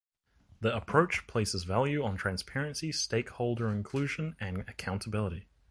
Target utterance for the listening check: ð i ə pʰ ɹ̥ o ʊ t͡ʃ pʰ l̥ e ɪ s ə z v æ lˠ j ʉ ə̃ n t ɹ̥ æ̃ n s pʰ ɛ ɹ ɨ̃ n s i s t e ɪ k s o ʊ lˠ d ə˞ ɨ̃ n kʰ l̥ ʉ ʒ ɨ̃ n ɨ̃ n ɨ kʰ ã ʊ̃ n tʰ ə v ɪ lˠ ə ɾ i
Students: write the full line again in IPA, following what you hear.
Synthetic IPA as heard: ð i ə pʰ ɹ̥ o ʊ t͡ʃ pʰ l̥ e ɪ s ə z v æ lˠ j ʉ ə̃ n tʰ ɹ̥ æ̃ n s pʰ ɛ ɹ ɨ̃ n s i s t e ɪ k h o ʊ lˠ d ə˞ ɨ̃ n kʰ l̥ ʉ ʒ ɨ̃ n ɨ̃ n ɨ kʰ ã ʊ̃ n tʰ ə b ɪ lˠ ə ɾ i